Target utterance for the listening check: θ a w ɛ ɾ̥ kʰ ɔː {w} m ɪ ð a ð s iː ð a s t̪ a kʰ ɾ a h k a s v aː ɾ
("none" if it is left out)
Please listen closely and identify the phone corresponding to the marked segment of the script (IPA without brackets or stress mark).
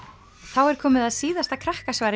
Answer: none